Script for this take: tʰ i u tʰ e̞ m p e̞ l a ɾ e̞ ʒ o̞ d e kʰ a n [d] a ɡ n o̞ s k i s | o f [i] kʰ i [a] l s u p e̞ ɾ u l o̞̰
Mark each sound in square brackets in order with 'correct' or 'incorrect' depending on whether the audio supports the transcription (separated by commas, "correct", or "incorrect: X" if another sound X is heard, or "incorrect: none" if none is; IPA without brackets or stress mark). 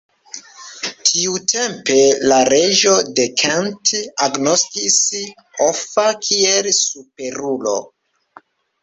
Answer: incorrect: t, incorrect: a, incorrect: e